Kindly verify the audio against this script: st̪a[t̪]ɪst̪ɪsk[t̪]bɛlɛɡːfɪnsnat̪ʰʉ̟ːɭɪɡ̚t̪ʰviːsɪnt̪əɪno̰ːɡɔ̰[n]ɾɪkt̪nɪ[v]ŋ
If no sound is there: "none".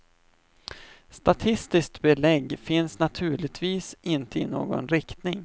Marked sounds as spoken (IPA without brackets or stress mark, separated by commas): t̪ʰ, t̪, n, none